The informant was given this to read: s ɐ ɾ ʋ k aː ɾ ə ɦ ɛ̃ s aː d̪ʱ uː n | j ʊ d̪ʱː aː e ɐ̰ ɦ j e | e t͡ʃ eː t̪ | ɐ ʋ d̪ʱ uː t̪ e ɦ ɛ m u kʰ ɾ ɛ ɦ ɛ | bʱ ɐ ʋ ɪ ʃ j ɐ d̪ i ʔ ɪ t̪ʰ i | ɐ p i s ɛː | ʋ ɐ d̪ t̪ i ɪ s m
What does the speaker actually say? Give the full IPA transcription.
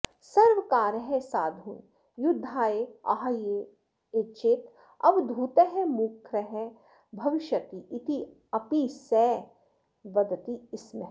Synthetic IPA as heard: s ɐ ɾ ʋ k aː ɾ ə ɦ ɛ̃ s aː d̪ʱ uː n | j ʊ d̪ʱː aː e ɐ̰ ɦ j e | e t͡ʃ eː t̪ | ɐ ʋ d̪ʱ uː t̪ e ɦ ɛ m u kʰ ɾ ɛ ɦ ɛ | bʱ ɐ ʋ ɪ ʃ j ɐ t̪ i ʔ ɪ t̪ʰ i | ɐ p i s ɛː | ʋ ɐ d̪ t̪ i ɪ s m